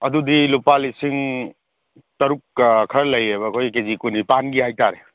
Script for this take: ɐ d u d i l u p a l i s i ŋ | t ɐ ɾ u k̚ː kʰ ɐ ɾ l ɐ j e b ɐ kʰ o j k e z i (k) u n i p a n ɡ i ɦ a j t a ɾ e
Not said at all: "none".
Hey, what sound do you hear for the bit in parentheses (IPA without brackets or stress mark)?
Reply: k